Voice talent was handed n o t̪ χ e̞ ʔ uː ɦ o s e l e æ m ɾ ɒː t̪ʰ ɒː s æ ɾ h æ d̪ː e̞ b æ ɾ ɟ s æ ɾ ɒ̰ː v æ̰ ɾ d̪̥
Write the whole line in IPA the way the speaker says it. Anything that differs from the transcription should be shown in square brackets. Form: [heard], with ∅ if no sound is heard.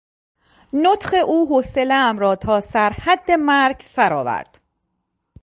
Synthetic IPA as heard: n o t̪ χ e̞ ʔ uː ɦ o s e l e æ m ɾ ɒː t̪ʰ ɒː s æ ɾ h æ d̪ː e̞ [m] æ ɾ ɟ s æ ɾ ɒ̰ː v æ̰ ɾ d̪̥